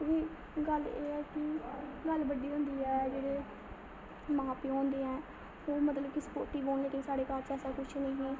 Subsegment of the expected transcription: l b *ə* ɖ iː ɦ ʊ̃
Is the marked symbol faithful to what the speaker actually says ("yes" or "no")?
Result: yes